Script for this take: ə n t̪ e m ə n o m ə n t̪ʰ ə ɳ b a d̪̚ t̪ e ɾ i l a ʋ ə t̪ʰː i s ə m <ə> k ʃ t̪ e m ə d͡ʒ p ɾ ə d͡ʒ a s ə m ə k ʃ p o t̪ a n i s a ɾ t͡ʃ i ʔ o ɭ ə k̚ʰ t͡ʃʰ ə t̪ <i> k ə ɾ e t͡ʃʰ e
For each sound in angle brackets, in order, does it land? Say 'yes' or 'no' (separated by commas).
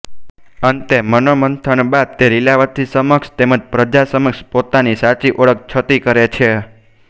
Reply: yes, yes